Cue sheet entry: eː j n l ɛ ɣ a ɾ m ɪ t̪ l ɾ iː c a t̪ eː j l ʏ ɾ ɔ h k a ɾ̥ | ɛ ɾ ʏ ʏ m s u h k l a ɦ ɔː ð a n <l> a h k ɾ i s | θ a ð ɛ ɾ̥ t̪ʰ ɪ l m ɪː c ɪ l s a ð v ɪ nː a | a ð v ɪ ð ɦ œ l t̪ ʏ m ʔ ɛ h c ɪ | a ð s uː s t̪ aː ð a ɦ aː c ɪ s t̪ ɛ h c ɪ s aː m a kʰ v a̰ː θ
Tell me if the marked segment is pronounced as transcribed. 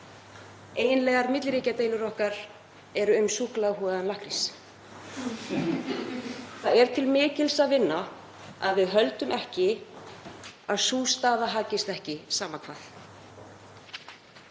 yes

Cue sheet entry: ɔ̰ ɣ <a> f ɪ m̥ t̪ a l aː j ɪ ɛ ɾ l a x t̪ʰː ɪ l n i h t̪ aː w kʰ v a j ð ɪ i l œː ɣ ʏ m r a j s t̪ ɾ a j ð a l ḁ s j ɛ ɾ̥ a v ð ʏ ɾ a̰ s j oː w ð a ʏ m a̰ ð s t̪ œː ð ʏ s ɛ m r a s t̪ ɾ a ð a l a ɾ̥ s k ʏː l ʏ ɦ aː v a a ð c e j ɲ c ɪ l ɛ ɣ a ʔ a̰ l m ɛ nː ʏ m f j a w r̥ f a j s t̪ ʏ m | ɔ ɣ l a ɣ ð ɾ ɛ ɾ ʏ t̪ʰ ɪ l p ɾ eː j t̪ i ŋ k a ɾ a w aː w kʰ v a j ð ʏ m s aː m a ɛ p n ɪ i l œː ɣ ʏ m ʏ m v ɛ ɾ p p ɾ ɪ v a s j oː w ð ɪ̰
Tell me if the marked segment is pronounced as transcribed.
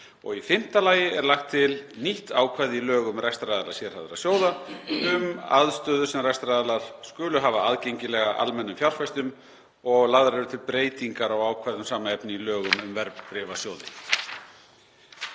no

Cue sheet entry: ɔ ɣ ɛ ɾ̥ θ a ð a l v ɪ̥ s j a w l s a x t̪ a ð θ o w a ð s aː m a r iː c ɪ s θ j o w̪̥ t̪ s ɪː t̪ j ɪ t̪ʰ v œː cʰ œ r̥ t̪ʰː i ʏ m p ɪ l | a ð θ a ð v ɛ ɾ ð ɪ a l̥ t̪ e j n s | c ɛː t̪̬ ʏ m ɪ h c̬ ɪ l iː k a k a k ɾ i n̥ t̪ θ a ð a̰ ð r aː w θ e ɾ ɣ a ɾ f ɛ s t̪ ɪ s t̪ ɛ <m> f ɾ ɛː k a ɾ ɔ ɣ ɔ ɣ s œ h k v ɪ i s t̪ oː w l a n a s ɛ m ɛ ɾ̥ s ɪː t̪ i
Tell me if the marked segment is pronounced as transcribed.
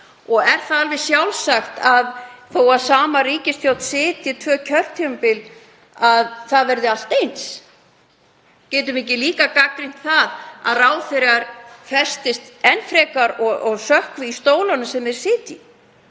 no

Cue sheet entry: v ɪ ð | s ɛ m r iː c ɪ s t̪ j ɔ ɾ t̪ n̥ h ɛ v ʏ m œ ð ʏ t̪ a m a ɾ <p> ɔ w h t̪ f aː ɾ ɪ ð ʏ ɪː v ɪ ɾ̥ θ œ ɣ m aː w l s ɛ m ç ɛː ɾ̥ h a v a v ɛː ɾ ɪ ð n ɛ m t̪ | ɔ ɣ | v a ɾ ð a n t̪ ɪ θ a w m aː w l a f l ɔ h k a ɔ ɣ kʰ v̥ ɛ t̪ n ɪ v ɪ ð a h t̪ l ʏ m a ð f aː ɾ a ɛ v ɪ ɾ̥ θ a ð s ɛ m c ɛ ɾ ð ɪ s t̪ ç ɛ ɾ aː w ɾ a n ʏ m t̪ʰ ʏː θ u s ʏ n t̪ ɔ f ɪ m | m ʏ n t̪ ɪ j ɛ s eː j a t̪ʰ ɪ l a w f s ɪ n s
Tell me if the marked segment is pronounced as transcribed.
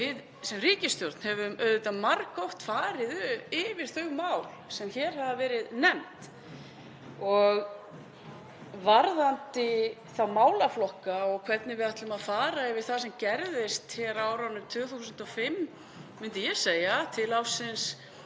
no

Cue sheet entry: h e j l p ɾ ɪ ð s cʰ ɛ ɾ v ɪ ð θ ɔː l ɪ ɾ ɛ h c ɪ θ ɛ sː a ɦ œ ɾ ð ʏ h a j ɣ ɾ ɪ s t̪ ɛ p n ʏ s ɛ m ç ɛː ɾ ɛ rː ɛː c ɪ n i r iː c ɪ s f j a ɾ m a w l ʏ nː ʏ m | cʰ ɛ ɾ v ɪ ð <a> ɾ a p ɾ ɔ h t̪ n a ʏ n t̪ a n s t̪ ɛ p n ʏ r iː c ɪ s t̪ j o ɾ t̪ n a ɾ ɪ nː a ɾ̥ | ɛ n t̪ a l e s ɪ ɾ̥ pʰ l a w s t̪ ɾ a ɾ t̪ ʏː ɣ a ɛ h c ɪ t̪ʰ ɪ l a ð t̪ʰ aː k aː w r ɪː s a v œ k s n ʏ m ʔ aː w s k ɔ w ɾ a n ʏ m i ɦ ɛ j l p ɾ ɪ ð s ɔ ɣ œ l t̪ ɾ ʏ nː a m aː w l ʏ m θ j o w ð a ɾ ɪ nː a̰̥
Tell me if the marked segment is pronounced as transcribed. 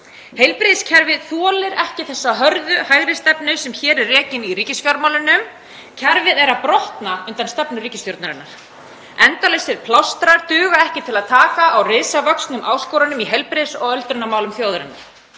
no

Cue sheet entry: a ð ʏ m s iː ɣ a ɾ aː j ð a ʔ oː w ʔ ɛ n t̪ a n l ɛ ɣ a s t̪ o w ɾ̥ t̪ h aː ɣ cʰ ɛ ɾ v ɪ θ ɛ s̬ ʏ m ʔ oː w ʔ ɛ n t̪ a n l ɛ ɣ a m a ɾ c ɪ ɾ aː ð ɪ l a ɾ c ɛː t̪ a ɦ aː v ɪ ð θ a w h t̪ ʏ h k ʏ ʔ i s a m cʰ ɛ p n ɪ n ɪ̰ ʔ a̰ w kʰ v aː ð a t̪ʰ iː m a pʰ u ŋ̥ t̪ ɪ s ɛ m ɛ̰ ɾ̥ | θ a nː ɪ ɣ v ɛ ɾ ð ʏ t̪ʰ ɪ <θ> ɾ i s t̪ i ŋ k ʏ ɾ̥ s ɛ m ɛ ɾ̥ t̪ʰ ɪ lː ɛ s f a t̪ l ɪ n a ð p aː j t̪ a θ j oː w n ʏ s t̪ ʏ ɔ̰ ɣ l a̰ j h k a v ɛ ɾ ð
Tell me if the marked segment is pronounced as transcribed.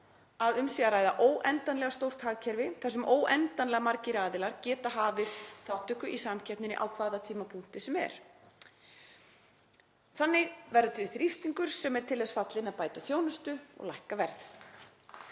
yes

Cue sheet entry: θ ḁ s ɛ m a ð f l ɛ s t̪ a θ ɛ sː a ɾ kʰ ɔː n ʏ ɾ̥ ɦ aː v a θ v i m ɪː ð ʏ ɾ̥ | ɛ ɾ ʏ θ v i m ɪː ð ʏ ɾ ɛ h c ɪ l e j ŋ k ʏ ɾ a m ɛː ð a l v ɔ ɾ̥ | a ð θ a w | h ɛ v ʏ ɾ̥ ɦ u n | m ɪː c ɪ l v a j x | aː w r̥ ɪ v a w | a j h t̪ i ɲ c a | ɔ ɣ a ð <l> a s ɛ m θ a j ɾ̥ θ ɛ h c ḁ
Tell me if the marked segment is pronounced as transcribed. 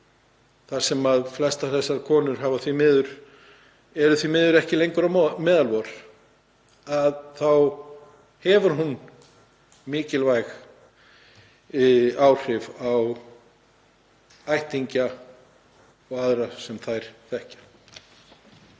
no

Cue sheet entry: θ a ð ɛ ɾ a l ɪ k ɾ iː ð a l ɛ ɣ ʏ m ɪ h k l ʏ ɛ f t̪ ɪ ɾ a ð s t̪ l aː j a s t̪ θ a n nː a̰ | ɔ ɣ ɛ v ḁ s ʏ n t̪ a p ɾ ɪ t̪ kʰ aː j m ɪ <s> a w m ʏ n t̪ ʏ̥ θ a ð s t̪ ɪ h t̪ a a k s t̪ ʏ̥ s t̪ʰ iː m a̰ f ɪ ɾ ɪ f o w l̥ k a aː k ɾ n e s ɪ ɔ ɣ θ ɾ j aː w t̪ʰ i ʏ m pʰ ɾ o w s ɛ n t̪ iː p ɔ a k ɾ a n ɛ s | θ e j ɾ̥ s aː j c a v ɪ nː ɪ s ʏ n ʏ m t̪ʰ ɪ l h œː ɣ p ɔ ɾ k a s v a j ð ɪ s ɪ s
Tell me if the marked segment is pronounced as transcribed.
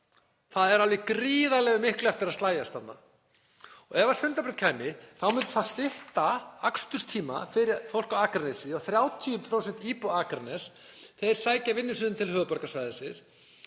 no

